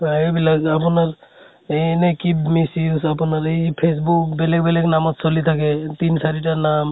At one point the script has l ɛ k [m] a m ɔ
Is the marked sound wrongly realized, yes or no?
yes